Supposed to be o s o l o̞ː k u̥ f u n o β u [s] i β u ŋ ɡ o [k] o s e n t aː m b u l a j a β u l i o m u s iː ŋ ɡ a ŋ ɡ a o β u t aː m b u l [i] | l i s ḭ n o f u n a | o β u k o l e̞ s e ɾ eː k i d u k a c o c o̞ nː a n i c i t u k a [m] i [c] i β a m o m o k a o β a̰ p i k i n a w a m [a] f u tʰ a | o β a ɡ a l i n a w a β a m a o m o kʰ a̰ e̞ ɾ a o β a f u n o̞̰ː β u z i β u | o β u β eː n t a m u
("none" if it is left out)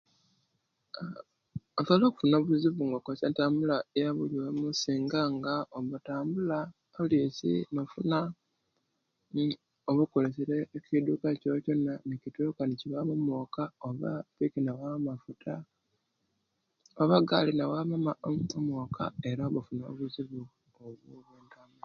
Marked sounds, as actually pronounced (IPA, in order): z, k, a, n, c, a

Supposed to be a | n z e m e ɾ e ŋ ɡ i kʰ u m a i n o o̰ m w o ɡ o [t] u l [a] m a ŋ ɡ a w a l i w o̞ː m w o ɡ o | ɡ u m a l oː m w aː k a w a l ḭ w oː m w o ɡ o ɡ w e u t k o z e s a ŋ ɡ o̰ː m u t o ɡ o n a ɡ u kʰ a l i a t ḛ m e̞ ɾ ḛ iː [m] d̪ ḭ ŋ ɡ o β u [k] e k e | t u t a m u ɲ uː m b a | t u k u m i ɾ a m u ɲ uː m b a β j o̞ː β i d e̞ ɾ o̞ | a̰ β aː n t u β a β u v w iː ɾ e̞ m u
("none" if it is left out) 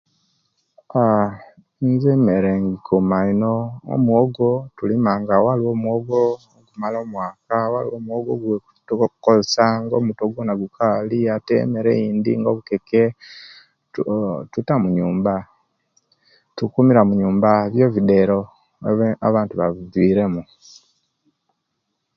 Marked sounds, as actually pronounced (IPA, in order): t, i, n, k

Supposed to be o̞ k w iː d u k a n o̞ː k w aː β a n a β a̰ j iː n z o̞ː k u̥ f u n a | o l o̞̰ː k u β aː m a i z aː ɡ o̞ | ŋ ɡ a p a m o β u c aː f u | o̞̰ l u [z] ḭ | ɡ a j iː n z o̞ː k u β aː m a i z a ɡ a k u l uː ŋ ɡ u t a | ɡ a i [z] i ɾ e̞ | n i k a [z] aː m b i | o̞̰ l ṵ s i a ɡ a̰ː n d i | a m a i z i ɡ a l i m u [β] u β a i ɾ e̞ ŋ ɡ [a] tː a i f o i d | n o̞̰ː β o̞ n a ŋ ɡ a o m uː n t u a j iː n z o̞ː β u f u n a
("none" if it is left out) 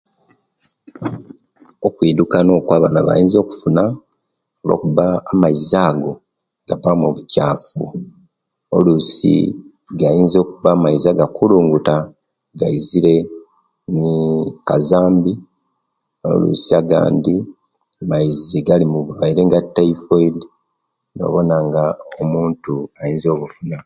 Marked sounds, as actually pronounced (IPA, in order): s, z, z, β, a

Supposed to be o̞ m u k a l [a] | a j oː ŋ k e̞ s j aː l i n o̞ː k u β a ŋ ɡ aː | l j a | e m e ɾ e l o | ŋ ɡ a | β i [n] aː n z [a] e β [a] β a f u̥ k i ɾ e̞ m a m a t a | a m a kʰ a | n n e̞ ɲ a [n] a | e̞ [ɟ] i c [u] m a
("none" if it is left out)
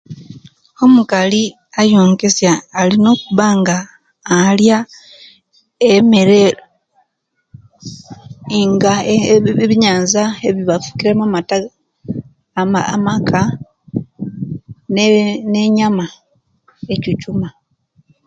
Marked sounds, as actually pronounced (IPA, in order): i, ɲ, a, i, m, c, u

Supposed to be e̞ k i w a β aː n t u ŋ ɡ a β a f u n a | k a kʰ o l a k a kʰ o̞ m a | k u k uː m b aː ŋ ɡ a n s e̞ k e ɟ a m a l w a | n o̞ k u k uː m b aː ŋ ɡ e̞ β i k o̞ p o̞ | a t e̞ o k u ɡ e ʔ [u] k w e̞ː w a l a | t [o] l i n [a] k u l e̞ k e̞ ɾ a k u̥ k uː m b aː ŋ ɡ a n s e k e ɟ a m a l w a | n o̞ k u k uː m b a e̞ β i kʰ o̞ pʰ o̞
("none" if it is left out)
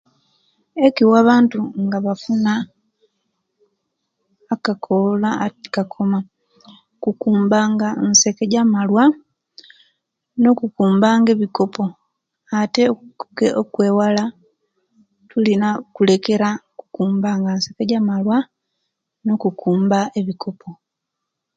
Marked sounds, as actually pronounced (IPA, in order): o, u, a

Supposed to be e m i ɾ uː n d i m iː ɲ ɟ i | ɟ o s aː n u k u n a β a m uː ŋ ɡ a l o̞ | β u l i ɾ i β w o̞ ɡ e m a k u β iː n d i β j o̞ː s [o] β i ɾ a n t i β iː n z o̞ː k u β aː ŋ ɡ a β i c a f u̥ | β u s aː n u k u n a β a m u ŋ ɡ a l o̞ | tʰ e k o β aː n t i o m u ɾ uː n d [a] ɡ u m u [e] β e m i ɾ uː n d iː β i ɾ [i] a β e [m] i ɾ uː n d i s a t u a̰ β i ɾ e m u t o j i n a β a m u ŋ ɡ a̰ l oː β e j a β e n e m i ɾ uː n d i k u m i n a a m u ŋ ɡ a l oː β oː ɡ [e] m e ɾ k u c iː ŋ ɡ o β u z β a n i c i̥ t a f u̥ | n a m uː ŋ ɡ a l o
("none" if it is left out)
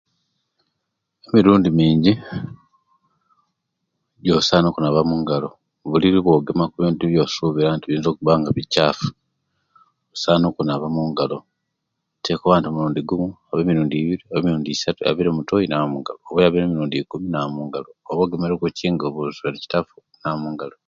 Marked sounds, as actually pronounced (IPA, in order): u, i, a, i, m, e

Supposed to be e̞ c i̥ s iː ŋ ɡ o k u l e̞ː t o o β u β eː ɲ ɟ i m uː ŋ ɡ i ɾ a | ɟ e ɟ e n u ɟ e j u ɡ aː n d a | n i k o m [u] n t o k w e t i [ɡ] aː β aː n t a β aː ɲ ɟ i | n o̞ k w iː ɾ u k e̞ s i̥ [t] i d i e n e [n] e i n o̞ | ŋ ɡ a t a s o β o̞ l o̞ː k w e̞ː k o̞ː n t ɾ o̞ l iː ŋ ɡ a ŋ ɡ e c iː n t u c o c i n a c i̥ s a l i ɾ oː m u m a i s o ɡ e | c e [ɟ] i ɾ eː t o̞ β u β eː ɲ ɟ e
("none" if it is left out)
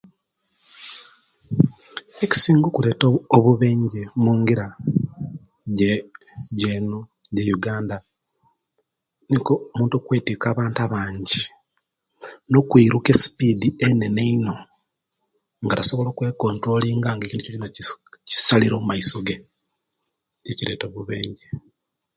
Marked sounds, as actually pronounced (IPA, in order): uː, k, p, n, c

